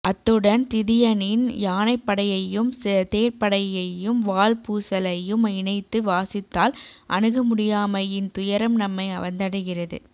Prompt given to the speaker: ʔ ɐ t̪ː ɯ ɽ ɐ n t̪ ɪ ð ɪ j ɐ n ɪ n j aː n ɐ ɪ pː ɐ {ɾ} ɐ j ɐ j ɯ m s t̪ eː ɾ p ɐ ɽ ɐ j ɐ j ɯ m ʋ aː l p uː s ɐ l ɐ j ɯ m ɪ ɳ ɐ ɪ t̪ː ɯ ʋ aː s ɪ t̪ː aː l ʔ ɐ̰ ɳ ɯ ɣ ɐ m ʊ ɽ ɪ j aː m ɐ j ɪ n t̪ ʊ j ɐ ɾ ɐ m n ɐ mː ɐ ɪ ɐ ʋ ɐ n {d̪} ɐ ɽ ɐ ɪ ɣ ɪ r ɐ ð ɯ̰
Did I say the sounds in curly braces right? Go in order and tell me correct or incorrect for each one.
incorrect, correct

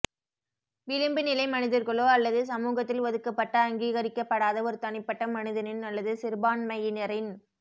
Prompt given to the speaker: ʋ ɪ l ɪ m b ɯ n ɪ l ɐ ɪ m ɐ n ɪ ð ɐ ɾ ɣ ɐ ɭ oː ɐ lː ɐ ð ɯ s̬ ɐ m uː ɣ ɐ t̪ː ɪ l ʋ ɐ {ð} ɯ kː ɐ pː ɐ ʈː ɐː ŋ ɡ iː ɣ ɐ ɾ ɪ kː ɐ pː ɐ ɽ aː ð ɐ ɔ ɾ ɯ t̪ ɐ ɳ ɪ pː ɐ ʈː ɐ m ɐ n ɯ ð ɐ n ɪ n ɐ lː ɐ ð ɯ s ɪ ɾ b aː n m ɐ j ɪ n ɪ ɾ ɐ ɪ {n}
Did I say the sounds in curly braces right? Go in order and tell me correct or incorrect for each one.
correct, correct

